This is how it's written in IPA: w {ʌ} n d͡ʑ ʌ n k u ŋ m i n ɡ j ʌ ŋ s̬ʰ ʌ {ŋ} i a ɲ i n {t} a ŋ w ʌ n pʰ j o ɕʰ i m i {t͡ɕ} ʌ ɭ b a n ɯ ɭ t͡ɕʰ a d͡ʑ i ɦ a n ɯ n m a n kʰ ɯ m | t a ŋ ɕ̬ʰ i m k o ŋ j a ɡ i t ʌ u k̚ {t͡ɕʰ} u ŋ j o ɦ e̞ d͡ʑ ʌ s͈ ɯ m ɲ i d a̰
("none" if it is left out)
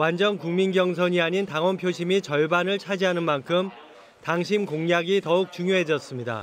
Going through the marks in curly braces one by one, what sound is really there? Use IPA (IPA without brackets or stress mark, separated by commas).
a, ɲ, t, t͡ɕ, t͡ɕ